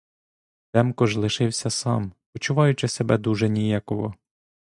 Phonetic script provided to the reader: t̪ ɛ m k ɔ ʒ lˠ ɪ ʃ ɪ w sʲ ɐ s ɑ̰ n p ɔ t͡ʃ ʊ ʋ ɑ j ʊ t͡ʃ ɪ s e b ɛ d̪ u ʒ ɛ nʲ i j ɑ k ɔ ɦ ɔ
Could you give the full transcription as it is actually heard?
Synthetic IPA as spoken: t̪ ɛ m k ɔ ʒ lˠ ɪ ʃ ɪ w sʲ ɐ s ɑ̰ m p ɔ t͡ʃ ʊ ʋ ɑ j ʊ t͡ʃ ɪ s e b ɛ d̪ u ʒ ɛ nʲ i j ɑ k ɔ ɦ ɔ